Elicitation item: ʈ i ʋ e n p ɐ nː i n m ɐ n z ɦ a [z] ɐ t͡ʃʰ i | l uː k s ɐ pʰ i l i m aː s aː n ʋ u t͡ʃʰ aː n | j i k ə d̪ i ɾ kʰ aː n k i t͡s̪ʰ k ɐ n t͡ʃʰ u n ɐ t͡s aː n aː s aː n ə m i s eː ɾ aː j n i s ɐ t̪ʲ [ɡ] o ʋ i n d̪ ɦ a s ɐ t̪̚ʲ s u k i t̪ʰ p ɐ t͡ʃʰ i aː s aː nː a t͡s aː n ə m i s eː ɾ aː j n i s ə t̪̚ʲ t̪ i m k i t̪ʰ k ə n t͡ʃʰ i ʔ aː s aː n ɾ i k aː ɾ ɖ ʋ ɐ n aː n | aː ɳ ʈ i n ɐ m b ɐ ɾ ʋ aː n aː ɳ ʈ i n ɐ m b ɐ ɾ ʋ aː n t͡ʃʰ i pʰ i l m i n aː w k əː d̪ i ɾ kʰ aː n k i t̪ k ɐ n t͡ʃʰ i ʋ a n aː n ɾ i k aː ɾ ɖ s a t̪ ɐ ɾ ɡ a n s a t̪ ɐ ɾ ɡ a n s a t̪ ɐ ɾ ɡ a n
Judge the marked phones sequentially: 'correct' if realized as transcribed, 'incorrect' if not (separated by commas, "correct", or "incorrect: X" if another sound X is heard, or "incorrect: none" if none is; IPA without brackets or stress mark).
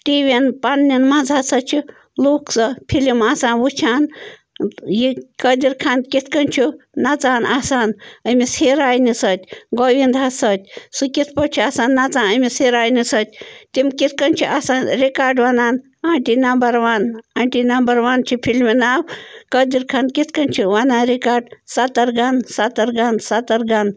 incorrect: s, correct